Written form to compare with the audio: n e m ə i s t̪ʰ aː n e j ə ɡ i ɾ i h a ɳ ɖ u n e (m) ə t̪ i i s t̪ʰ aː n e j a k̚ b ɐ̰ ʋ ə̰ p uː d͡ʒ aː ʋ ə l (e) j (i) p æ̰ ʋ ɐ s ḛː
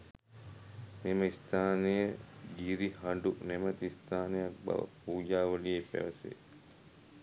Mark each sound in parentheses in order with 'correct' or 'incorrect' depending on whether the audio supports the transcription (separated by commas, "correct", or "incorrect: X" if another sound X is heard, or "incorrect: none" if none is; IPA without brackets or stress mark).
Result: correct, incorrect: i, incorrect: e